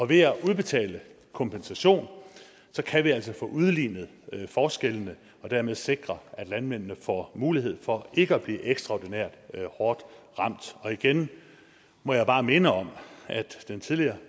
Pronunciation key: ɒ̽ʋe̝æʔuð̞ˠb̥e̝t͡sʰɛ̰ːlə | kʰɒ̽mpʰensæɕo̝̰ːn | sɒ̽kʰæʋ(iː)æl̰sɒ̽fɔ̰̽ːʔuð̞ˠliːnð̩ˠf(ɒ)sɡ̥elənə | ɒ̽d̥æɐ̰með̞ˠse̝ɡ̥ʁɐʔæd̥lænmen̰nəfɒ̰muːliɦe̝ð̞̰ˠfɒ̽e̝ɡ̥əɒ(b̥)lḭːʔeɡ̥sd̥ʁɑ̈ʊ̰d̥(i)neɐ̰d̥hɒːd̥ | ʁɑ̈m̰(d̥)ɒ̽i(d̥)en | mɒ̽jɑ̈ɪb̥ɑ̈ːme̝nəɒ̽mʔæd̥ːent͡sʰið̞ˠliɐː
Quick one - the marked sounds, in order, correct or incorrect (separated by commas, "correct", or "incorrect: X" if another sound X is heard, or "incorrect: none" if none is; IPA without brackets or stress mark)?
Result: incorrect: i, incorrect: ɒː, correct, correct, correct, incorrect: ɡ̥